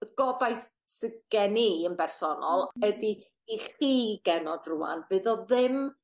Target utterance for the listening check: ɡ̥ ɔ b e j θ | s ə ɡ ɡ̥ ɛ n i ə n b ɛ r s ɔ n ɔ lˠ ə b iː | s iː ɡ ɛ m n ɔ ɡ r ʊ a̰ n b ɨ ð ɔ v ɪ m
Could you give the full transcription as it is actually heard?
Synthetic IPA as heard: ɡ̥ ɔ b a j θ | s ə ɡ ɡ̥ ɛ n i ə n b ɛ r s ɔ n ɔ lˠ ə d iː | χ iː ɡ ɛ n ɔ d r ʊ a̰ n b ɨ ð ɔ ð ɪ m